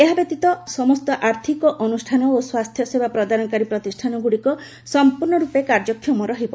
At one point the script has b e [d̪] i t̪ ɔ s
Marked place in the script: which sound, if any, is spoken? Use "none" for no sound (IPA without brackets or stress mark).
t̪